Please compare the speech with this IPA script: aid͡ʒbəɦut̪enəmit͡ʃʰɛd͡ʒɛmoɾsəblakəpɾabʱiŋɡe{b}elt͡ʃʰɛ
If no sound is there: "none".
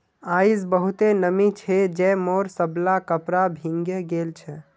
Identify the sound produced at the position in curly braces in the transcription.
ɡ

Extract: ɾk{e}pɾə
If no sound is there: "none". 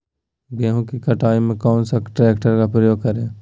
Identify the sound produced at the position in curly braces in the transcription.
a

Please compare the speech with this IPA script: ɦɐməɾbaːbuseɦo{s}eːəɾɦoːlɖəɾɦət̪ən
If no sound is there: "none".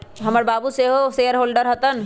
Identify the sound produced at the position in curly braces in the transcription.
s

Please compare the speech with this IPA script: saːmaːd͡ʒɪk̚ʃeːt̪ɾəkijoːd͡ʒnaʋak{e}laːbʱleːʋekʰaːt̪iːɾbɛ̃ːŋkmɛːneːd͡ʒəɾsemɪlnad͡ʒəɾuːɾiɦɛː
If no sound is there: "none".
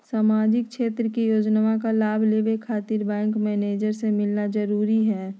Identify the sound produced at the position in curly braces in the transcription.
a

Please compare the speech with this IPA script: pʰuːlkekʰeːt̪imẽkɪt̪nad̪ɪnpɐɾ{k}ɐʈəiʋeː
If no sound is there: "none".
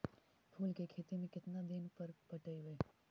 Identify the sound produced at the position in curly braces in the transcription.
p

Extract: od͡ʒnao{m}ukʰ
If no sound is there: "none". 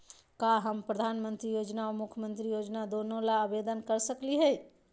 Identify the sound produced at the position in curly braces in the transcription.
m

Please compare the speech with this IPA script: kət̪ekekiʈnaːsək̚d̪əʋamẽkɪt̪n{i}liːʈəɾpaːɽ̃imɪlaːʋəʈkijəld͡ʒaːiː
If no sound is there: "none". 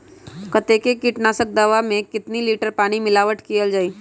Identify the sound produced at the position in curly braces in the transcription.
i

